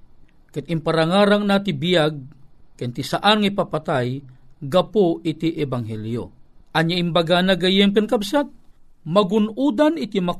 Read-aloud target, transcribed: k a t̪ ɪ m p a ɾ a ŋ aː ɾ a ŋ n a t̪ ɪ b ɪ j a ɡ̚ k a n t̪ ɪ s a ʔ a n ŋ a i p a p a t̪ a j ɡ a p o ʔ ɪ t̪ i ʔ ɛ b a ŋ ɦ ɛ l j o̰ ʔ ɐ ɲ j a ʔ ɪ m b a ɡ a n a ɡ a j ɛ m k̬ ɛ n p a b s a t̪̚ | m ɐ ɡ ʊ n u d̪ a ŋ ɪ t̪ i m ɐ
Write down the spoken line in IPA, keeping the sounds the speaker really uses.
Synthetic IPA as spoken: k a t̪ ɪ m p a ɾ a ŋ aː ɾ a ŋ n a t̪ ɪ b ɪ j a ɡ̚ k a n t̪ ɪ s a ʔ a n ŋ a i p a p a t̪ a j ɡ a p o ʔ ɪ t̪ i ʔ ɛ b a ŋ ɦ ɛ l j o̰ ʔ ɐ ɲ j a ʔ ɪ m b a ɡ a n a ɡ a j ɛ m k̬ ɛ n k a b s a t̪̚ | m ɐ ɡ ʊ n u d̪ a n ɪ t̪ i m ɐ